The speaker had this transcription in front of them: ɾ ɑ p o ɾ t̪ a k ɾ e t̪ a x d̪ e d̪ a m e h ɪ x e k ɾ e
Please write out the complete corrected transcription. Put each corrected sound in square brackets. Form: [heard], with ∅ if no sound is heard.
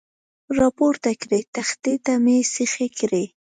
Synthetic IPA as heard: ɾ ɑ p o ɾ t̪ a k ɾ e t̪ a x [t̪] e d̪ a m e [s] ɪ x e k ɾ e